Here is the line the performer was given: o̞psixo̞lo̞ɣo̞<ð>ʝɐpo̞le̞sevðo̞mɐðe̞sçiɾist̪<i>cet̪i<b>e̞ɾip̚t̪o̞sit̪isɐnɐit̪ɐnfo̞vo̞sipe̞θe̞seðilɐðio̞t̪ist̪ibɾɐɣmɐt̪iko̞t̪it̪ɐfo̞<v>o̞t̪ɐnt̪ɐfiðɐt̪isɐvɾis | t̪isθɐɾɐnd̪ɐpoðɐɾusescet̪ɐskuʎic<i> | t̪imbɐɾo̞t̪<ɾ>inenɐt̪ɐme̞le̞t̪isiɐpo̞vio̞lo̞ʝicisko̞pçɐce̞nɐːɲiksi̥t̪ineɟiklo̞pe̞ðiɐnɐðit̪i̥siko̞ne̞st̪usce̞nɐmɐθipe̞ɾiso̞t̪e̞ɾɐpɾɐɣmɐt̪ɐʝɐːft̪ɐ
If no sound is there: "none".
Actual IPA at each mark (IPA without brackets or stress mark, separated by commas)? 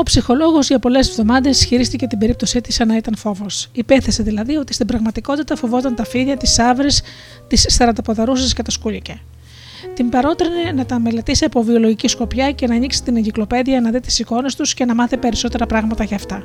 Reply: z, i, b, v, e, ɾ